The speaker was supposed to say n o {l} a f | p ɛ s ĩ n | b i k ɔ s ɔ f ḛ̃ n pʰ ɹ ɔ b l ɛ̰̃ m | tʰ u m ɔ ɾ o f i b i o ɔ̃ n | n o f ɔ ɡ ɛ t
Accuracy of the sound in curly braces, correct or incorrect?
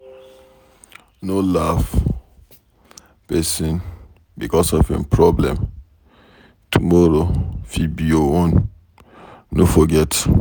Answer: correct